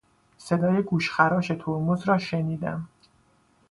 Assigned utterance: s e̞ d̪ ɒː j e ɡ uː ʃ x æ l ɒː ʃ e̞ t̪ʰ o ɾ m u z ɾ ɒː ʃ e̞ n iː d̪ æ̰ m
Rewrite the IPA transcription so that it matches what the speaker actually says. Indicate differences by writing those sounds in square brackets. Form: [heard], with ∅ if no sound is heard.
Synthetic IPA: s e̞ d̪ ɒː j e ɡ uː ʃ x æ [ɾ] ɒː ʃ e̞ t̪ʰ o ɾ m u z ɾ ɒː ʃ e̞ n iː d̪ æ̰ m